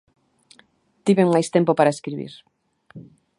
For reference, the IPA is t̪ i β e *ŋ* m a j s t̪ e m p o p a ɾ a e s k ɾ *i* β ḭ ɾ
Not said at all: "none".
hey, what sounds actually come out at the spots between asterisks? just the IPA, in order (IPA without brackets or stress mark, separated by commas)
ŋ, i